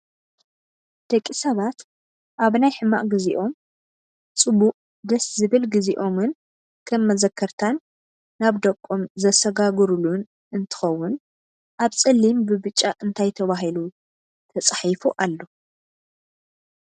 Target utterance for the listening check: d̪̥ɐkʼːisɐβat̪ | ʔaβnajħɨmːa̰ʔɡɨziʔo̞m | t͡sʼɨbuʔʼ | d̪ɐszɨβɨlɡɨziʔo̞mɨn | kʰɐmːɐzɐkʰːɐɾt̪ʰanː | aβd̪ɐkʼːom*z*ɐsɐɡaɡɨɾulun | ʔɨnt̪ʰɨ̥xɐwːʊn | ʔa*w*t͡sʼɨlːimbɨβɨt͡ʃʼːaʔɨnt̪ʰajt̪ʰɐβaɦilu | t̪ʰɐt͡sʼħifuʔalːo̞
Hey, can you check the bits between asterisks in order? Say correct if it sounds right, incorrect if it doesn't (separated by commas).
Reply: correct, incorrect